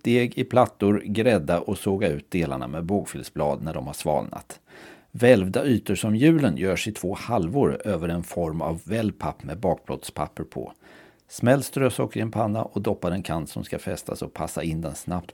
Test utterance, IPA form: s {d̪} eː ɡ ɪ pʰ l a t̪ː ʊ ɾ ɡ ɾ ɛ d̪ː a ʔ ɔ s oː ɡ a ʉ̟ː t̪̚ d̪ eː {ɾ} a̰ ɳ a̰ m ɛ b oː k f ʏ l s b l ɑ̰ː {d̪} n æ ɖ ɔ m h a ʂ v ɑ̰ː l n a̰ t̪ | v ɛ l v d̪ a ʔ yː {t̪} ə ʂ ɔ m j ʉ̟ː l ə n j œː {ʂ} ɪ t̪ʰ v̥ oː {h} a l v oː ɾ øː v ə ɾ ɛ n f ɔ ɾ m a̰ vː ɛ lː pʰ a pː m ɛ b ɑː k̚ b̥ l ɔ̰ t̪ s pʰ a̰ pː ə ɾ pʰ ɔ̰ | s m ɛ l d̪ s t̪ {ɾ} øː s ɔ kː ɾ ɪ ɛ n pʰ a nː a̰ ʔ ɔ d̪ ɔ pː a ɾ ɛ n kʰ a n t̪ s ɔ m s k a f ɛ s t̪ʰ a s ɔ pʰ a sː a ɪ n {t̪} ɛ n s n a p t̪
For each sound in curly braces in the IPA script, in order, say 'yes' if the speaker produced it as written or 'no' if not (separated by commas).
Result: no, no, yes, yes, yes, yes, yes, no